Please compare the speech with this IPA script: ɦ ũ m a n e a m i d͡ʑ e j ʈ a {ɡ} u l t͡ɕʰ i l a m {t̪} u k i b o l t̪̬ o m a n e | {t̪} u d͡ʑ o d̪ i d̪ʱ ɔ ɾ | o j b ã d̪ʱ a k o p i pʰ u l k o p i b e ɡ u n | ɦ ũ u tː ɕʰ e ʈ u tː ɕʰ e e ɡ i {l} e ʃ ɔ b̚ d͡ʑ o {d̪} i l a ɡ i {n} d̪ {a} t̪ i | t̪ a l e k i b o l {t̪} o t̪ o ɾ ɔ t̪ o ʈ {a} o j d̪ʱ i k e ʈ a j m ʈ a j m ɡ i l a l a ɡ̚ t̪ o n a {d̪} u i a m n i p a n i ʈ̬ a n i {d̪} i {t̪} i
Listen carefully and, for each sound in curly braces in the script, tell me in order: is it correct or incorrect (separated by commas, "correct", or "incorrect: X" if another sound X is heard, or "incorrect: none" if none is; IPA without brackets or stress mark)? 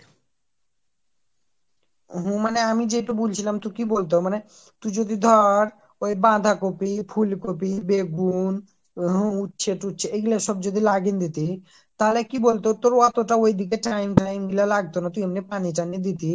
incorrect: b, correct, correct, correct, correct, correct, incorrect: i, correct, correct, incorrect: t̪, correct, correct